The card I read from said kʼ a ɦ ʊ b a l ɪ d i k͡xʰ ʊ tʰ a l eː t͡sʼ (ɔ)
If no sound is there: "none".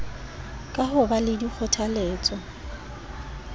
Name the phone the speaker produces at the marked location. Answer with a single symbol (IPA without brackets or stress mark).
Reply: ɔ